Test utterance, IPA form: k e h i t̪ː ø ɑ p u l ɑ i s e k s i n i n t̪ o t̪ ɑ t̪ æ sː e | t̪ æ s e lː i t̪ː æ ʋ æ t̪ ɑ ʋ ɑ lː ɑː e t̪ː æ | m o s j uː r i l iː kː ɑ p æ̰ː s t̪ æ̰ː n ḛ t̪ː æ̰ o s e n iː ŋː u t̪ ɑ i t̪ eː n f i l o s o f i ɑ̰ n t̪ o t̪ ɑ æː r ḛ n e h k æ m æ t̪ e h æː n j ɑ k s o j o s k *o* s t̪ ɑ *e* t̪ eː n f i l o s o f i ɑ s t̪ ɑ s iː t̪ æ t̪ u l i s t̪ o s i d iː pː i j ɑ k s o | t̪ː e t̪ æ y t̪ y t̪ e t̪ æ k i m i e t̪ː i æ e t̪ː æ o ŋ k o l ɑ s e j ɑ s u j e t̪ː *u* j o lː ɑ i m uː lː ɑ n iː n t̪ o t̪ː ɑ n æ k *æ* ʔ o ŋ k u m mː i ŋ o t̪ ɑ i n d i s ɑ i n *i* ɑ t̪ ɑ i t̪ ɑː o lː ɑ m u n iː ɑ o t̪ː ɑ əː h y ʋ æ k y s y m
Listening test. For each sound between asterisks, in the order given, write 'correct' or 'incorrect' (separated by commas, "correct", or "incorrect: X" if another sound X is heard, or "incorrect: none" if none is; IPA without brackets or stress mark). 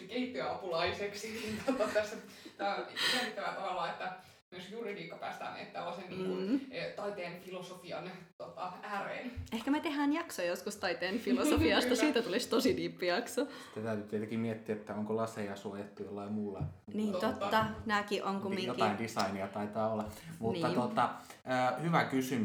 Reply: incorrect: u, incorrect: i, correct, incorrect: i, correct